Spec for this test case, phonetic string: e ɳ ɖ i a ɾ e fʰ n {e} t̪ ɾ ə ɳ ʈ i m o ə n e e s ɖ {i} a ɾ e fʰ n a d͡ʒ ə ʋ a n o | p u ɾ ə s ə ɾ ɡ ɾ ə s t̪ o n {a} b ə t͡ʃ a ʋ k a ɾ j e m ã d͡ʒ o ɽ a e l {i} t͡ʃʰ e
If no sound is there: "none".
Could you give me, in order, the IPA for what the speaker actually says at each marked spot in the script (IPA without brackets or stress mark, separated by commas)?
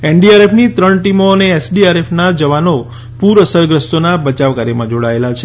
i, i, a, a